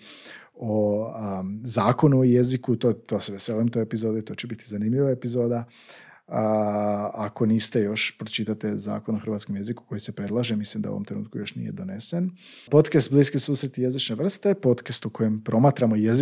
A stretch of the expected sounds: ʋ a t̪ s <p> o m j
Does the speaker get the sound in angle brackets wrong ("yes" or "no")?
yes